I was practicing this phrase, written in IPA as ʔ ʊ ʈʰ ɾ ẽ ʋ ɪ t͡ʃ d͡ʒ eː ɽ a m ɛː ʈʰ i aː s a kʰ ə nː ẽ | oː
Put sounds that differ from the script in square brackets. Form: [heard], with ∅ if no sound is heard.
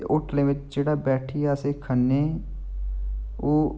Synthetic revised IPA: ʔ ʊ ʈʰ [l] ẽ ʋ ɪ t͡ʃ d͡ʒ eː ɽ a [b] ɛː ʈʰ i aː s [e] kʰ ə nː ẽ | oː